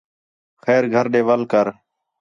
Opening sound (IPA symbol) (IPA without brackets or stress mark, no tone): x